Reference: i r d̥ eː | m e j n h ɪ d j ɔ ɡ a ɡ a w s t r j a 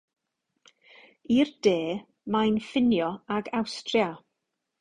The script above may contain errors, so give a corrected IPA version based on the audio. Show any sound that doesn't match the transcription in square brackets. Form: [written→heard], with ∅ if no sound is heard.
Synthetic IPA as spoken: i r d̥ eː | m [e→a] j n [h→f] ɪ [d→n] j ɔ [ɡ→∅] a ɡ a w s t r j a